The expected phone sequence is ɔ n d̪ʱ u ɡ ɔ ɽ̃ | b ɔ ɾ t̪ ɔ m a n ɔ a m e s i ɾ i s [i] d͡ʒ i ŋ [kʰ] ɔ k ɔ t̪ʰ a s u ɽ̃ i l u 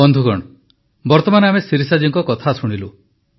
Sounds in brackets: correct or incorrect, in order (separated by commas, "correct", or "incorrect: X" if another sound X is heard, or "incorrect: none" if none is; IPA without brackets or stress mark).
incorrect: a, incorrect: k